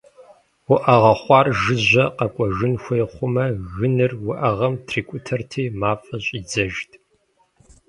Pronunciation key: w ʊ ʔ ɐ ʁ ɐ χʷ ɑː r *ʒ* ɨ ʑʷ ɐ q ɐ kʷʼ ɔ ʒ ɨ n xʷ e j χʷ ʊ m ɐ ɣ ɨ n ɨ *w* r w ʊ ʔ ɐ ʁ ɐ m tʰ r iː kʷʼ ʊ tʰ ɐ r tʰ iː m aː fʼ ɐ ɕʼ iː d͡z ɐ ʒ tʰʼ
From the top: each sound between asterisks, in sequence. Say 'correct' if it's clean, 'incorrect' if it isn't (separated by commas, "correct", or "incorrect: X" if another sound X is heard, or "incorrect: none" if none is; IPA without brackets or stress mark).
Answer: correct, incorrect: none